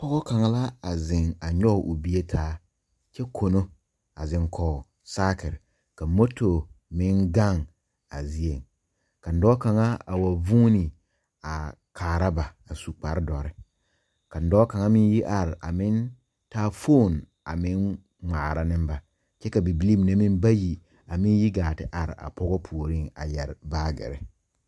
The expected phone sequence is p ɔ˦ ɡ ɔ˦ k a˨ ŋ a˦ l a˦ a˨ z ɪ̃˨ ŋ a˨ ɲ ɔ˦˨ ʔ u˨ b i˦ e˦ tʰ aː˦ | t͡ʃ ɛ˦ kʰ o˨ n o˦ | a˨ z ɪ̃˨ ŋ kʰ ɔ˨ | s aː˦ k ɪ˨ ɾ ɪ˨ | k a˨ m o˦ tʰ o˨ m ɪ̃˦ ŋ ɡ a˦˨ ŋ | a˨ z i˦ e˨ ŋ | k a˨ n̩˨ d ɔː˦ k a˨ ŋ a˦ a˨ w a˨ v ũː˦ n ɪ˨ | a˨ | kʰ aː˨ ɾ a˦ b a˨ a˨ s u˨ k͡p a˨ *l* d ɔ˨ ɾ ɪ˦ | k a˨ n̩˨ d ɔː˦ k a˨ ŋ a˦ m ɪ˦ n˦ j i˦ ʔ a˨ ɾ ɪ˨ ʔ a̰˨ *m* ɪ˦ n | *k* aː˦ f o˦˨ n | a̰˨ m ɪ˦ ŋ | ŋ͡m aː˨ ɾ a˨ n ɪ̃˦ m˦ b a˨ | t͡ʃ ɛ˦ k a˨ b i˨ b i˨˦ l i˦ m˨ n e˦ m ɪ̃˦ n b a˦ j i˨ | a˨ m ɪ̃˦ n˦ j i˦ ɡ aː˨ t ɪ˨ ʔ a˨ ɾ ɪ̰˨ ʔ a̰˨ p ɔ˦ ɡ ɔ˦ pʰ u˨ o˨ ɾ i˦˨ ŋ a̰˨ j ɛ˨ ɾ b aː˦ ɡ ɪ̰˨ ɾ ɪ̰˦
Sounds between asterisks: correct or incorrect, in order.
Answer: incorrect, correct, incorrect

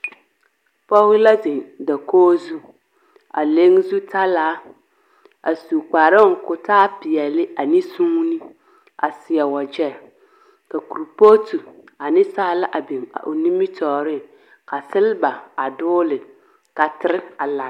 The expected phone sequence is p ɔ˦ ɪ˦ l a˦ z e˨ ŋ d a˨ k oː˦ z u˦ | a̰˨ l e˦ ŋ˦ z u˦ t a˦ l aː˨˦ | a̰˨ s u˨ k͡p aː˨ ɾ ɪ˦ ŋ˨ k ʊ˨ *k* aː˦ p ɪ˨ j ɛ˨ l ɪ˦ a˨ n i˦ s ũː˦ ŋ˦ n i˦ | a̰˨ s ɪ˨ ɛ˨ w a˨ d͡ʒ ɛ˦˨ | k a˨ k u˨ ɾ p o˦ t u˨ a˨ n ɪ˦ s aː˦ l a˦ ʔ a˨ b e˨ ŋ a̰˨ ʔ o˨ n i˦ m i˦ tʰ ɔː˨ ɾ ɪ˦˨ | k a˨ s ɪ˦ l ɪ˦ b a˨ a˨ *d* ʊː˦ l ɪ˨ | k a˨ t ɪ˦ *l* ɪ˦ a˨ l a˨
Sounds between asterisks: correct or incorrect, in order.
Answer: incorrect, correct, incorrect

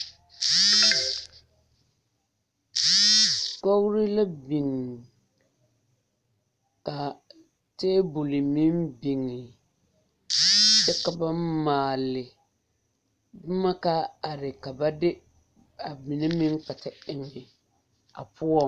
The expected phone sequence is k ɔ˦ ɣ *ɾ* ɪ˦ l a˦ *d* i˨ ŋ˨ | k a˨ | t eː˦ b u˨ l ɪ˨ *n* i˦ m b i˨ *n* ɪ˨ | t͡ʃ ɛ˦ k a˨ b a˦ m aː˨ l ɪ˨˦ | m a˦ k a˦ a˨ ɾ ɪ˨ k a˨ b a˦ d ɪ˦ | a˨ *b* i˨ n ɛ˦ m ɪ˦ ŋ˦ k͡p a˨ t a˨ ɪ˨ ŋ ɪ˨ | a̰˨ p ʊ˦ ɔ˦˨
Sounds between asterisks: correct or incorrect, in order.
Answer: correct, incorrect, incorrect, incorrect, incorrect

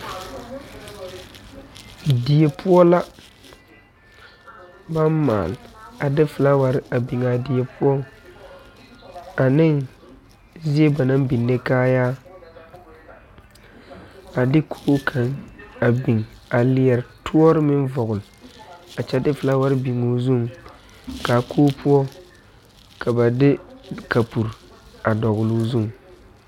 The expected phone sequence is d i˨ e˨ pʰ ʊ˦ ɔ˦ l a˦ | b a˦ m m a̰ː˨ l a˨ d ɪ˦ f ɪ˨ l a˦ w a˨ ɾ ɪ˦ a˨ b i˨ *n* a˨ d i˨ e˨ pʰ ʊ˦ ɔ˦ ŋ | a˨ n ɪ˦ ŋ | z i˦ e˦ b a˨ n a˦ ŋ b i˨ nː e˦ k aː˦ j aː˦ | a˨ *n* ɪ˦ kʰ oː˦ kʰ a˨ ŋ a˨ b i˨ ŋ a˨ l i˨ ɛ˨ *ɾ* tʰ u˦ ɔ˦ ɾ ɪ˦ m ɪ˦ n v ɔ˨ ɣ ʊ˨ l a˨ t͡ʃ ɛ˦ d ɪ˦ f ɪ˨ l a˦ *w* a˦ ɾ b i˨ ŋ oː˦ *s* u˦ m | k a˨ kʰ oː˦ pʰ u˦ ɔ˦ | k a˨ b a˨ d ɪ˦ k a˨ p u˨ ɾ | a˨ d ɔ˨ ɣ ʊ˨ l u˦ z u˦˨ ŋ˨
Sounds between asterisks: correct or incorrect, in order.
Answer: incorrect, incorrect, correct, correct, incorrect

